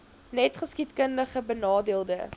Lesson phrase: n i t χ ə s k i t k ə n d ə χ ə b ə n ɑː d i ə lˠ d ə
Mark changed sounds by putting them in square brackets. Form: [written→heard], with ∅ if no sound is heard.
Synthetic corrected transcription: n [i→ɛ] t χ ə s k i t k ə n d ə χ ə b ə n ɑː d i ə lˠ d ə